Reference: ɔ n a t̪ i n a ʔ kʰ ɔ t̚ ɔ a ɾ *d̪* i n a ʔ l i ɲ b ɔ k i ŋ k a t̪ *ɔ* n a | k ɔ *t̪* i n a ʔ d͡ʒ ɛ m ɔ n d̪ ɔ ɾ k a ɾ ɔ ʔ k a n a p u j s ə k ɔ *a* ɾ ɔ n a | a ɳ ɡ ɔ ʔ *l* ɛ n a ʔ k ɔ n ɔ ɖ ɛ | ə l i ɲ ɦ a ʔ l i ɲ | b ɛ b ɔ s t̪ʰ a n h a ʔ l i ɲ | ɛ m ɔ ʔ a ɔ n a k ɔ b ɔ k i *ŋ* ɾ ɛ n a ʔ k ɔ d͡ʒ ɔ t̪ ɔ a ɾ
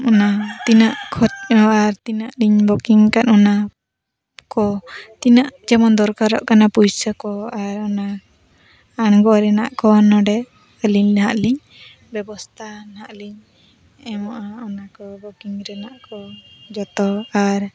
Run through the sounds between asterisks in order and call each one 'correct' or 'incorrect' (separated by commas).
incorrect, correct, correct, correct, incorrect, correct